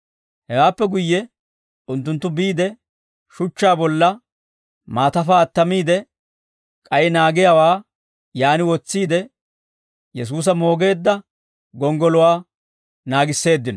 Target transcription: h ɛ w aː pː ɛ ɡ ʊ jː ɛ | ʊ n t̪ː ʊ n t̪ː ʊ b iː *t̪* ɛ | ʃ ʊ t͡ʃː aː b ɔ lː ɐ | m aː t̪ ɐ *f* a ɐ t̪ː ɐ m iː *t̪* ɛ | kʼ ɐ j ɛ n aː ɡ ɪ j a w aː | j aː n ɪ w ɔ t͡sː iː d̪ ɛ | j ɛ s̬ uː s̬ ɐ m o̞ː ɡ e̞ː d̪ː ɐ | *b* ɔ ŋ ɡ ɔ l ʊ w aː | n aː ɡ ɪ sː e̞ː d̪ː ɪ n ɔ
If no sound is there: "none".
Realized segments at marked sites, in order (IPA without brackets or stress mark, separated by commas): d̪, f, d̪, ɡ